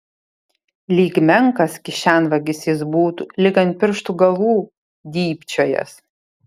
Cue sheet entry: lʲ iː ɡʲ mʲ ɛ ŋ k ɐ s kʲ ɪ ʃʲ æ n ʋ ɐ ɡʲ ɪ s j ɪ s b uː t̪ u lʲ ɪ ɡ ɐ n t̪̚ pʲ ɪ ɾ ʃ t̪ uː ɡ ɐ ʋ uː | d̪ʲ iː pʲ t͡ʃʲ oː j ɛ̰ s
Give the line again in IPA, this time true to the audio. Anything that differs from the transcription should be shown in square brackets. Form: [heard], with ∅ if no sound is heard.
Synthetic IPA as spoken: lʲ iː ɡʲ mʲ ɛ ŋ k ɐ s kʲ ɪ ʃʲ æ n ʋ ɐ ɡʲ ɪ s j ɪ s b uː t̪ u lʲ ɪ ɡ ɐ n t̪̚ pʲ ɪ ɾ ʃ t̪ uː ɡ ɐ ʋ uː | d̪ʲ iː pʲ t͡ʃʲ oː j ɛ̰ s